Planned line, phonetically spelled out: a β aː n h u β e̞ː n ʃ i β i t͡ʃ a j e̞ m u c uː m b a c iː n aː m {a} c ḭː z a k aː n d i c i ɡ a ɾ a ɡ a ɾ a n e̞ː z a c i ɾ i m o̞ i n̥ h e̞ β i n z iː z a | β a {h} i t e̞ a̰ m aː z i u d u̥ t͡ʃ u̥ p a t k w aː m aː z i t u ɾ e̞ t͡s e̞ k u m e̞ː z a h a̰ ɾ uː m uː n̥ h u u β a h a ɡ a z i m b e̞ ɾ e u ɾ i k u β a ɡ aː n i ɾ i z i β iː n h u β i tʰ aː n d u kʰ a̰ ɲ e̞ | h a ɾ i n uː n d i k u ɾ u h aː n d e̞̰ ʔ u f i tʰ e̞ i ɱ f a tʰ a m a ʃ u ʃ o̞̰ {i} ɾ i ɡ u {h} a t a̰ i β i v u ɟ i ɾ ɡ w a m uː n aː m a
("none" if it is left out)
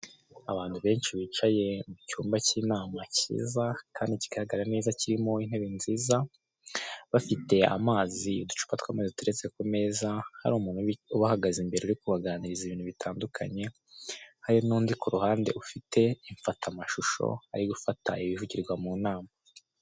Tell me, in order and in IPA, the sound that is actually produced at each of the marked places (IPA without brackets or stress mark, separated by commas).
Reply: a, f, a, f